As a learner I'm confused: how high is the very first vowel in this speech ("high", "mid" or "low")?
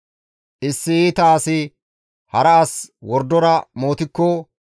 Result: high